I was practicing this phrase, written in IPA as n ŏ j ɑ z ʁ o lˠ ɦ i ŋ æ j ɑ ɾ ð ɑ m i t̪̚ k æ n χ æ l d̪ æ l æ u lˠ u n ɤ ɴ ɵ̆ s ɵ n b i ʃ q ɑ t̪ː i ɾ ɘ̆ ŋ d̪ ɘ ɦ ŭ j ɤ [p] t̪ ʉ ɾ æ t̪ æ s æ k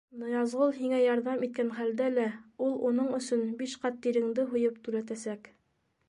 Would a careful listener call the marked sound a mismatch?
no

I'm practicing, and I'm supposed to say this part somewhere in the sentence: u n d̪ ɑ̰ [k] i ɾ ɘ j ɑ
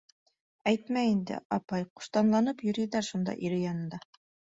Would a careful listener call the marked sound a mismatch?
yes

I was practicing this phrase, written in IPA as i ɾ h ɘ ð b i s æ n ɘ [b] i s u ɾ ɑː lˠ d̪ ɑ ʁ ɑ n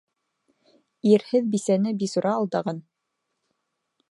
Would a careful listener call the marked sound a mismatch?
no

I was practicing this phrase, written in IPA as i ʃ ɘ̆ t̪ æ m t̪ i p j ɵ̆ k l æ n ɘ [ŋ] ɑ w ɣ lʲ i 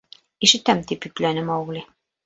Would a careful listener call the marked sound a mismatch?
yes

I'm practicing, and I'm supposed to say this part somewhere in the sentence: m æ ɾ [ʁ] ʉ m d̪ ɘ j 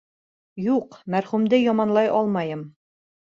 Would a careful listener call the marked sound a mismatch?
yes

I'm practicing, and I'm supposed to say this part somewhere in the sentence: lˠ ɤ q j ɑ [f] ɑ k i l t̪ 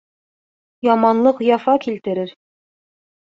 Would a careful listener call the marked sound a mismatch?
no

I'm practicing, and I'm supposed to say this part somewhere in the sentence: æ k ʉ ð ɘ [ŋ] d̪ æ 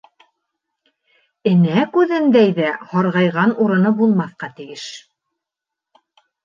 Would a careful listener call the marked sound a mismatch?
yes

